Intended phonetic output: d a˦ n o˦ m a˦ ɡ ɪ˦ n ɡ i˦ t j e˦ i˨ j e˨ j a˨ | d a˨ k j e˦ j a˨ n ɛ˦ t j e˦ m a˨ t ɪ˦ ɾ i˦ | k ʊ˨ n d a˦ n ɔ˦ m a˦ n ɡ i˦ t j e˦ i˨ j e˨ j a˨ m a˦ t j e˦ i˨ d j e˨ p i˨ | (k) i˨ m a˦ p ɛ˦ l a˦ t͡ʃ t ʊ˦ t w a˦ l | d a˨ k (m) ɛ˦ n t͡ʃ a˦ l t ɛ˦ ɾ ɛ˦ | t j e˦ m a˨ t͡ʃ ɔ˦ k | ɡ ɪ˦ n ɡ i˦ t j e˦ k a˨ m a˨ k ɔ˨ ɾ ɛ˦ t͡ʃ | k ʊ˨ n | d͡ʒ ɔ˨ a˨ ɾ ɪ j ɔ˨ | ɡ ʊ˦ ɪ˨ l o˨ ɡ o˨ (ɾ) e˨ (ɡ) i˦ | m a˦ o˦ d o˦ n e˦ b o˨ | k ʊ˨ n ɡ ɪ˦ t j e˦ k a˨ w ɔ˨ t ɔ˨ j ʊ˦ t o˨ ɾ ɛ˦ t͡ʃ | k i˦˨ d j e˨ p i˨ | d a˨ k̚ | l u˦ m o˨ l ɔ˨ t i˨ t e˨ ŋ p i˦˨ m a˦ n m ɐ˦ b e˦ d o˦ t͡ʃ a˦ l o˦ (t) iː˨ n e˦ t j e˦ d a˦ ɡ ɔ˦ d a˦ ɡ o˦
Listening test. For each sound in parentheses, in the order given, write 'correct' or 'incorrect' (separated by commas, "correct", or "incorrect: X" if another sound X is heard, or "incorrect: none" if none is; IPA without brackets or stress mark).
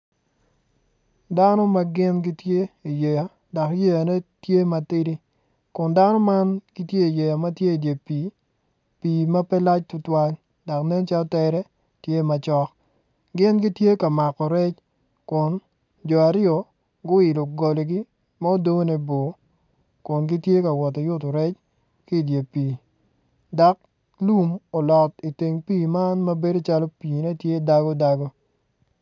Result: incorrect: p, incorrect: n, incorrect: l, correct, incorrect: p